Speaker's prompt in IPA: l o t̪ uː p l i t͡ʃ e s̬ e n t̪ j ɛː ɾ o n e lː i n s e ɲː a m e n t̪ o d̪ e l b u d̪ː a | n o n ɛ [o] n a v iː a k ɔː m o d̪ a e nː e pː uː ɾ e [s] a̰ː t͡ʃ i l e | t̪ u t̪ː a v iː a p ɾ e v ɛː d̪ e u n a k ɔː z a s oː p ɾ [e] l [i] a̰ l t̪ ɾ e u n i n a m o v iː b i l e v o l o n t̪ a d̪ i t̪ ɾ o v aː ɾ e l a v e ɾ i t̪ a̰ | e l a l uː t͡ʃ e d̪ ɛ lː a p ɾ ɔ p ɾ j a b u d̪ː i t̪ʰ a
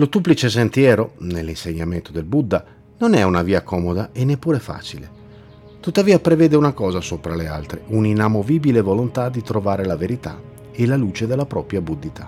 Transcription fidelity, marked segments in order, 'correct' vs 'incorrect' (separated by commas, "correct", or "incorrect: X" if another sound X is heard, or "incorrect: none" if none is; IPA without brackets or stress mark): incorrect: u, incorrect: f, incorrect: a, incorrect: e